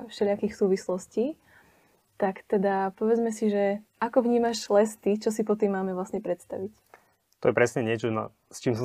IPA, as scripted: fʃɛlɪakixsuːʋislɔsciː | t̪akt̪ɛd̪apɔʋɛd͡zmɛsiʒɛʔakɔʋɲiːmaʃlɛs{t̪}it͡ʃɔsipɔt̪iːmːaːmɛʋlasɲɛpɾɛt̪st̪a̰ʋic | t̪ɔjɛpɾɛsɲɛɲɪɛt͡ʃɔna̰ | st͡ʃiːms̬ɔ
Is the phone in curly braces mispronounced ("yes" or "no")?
no